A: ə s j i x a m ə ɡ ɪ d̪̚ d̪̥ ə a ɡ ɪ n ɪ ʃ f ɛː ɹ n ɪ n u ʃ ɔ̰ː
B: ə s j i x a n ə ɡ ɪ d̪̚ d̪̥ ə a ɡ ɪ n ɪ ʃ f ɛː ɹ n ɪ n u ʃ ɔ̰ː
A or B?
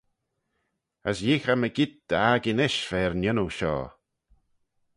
A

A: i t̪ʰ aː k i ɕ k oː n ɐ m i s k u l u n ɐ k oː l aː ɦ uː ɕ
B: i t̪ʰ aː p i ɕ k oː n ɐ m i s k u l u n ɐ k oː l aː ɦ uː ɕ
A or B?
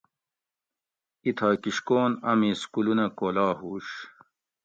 A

